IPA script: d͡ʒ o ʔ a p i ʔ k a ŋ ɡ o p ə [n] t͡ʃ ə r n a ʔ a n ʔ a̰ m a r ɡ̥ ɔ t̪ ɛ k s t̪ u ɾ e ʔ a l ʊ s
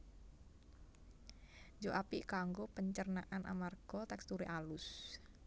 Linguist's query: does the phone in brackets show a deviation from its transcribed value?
yes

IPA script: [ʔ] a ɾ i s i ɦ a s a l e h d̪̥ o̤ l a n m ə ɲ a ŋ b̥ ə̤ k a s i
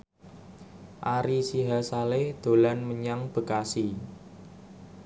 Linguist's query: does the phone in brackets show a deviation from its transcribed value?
no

